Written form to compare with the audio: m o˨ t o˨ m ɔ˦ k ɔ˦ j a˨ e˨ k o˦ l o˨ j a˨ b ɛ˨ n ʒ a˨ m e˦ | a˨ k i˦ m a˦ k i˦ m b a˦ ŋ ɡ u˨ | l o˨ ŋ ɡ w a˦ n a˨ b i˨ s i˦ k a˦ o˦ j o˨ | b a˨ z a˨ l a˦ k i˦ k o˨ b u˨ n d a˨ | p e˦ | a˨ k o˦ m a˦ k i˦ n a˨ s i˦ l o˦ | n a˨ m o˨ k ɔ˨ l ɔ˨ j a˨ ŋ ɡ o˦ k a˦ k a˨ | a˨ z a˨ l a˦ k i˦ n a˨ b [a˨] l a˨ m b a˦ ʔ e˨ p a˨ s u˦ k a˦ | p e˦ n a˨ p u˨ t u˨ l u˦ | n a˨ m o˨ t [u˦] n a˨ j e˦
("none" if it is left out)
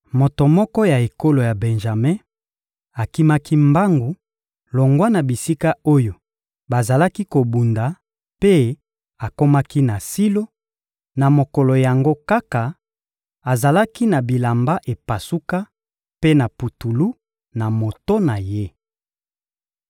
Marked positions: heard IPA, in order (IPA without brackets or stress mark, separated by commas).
i˨, o˦